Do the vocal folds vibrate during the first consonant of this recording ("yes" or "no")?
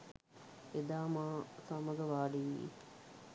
yes